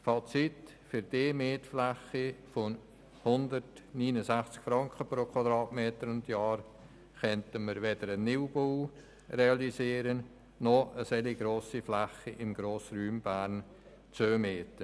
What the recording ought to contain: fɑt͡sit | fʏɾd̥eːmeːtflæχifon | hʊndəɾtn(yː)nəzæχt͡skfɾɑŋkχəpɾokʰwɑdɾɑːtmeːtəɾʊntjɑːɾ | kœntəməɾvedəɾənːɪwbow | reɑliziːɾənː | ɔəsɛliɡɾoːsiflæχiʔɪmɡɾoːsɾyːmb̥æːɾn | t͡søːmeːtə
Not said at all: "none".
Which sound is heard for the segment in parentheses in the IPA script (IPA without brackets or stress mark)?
iː